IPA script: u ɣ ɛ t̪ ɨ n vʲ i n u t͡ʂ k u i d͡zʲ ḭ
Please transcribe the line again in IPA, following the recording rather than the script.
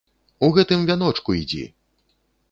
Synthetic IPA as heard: u ɣ ɛ t̪ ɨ m vʲ a n ɔ t͡ʂ k u i d͡zʲ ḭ